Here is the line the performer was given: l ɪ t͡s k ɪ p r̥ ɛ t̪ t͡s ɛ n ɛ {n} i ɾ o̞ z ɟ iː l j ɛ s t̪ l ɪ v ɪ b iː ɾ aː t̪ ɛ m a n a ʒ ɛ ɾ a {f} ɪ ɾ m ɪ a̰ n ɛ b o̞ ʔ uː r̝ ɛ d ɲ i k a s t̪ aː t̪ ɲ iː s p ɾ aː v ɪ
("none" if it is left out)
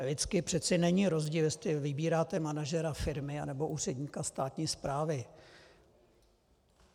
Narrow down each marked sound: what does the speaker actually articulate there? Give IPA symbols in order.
ɲ, f

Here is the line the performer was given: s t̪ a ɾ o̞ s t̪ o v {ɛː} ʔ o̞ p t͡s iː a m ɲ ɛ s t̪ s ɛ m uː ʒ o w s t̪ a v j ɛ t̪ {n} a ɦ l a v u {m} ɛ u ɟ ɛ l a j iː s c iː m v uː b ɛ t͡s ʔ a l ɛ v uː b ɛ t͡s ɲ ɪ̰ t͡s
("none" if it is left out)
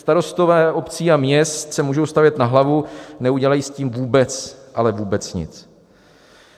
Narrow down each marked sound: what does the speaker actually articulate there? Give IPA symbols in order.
ɛː, n, n

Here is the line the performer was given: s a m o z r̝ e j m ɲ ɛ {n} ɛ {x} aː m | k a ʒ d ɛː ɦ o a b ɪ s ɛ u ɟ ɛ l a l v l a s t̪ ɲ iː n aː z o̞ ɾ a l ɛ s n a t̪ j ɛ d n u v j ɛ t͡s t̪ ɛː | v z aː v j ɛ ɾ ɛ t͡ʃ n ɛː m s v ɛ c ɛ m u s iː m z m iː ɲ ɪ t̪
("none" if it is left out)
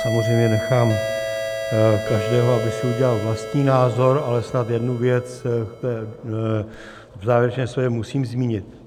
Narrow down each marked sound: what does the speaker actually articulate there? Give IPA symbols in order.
n, x

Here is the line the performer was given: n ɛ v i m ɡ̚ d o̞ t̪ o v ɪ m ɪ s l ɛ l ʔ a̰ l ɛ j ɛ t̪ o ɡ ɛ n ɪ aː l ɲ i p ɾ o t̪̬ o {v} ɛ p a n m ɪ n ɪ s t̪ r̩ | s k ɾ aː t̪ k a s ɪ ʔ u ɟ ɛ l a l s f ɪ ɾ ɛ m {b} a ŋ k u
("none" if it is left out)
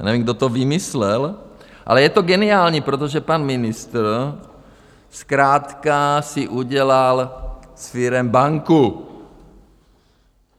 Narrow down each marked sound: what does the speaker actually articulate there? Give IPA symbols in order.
ʒ, b

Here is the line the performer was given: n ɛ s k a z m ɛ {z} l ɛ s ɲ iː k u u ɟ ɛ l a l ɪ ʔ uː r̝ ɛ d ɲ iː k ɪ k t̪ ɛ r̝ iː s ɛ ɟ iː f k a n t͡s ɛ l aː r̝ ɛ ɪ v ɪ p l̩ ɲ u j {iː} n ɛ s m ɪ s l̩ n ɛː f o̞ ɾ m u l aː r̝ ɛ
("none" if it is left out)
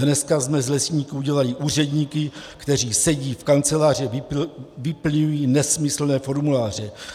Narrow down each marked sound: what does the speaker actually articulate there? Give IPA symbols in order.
z, iː

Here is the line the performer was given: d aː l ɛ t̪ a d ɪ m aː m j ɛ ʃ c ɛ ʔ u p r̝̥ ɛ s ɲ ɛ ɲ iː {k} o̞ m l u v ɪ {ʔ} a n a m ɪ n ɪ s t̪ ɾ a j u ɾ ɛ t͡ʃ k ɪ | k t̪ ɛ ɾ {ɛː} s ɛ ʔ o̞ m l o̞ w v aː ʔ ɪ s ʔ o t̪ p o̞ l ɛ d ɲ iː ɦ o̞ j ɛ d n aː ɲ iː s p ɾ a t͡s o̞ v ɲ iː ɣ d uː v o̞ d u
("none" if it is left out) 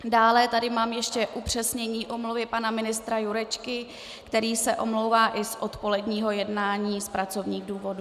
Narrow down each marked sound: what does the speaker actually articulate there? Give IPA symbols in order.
ʔ, p, iː

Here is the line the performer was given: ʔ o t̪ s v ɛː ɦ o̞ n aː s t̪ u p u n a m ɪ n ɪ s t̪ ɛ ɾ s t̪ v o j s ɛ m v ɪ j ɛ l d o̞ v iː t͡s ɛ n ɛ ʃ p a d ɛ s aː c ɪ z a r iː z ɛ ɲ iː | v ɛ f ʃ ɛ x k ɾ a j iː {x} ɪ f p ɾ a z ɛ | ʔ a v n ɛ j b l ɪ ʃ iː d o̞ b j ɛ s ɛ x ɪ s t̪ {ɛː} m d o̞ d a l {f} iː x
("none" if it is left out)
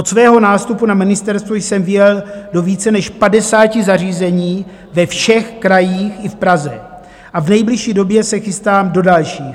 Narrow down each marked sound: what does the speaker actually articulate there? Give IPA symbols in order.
x, aː, ʃ

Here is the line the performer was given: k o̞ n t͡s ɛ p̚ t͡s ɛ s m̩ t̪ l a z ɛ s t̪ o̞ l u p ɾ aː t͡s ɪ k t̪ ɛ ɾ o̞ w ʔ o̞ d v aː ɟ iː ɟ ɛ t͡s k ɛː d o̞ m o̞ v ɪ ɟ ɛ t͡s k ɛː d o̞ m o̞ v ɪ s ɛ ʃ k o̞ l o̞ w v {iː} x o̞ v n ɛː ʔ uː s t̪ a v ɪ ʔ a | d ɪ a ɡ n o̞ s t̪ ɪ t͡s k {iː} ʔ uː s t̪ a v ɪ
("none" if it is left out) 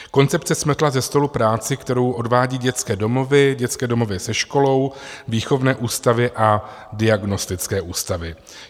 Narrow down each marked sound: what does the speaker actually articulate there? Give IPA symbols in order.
iː, ɛː

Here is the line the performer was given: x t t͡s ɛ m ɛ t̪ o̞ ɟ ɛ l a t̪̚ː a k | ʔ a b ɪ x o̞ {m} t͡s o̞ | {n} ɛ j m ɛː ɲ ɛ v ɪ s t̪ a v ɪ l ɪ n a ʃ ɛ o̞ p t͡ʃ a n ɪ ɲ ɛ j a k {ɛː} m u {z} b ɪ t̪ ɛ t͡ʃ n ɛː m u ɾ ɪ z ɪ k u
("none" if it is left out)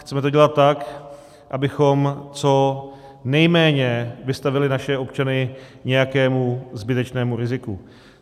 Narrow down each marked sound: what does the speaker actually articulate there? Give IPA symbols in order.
m, n, ɛː, z

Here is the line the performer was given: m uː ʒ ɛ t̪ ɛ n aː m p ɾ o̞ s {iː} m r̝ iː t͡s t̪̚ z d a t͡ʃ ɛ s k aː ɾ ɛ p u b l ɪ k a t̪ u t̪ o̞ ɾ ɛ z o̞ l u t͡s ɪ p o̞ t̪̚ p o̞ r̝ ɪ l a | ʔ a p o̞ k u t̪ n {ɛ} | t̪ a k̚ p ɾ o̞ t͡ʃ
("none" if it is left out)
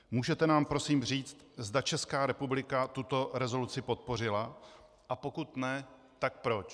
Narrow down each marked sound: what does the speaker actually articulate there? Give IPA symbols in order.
iː, ɛ

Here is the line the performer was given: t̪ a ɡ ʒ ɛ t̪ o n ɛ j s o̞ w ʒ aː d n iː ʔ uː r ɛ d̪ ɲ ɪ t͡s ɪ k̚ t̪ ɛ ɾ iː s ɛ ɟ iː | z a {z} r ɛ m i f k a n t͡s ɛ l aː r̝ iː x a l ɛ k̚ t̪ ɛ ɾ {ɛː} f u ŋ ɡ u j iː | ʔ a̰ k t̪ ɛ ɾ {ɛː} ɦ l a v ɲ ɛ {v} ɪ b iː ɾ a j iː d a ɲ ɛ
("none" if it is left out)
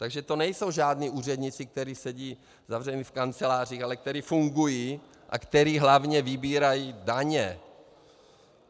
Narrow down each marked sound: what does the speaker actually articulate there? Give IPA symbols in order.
v, iː, iː, v

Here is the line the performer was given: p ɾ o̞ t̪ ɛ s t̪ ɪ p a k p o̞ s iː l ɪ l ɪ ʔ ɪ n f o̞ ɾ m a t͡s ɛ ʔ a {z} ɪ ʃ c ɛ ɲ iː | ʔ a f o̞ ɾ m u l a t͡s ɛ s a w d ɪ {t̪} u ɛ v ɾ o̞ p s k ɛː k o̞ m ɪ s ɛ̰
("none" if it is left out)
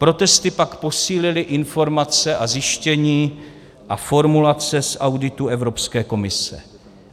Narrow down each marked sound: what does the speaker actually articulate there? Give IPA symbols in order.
z, t̪

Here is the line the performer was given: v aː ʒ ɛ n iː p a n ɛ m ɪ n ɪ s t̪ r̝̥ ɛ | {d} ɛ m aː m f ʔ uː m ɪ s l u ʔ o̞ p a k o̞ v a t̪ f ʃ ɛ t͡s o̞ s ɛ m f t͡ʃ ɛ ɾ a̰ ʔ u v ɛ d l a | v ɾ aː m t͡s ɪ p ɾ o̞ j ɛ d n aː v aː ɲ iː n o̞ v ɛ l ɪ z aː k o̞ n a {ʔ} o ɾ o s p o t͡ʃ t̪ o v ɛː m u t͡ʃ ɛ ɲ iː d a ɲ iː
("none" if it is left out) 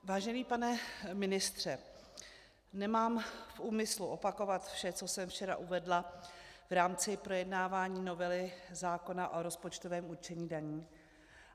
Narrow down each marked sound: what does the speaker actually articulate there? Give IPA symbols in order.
n, ʔ

